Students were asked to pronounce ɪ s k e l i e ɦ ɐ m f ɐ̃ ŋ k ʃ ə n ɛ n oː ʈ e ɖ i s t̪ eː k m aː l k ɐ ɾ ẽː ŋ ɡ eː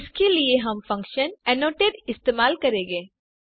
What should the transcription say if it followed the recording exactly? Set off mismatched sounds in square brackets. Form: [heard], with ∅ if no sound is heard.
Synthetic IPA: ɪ s k e l i e ɦ ɐ m f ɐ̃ ŋ k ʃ ə n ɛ n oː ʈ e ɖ [ɪ] s t̪ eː [∅] m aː l k ɐ ɾ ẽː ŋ ɡ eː

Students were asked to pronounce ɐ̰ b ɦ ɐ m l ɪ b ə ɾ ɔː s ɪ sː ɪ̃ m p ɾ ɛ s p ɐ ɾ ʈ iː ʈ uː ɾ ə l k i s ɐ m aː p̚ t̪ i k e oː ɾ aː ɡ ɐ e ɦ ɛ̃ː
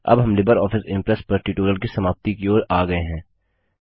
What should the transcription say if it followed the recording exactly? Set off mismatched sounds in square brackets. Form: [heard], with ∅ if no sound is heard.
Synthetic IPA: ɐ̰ b ɦ ɐ m l ɪ b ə ɾ ɔː [f] ɪ [s] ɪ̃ m p ɾ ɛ s p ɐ ɾ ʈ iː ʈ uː ɾ ə l k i s ɐ m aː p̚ t̪ i k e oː ɾ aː ɡ ɐ e ɦ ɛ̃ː

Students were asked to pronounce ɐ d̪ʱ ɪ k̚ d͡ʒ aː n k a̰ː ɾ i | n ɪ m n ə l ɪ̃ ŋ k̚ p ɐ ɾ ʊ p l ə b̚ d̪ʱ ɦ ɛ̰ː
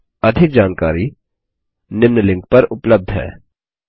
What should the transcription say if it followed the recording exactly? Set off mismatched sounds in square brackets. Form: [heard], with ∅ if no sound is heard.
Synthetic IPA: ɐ d̪ʱ ɪ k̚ d͡ʒ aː n k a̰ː ɾ i | n ɪ m n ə l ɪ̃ ŋ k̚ p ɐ ɾ ʊ p l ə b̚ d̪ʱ ɦ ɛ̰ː

